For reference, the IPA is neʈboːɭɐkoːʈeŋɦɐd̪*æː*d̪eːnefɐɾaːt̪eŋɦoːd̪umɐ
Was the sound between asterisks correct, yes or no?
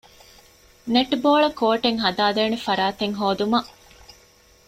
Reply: no